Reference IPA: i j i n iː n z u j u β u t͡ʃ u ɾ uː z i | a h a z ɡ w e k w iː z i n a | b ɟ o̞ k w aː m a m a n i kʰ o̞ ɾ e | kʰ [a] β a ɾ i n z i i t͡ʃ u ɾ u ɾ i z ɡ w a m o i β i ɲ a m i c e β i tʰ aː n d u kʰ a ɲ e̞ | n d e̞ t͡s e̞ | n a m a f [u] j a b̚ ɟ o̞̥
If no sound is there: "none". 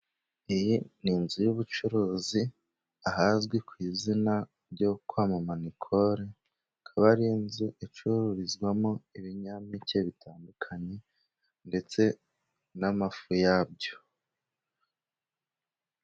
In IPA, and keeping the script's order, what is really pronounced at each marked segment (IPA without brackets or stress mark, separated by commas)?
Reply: a, u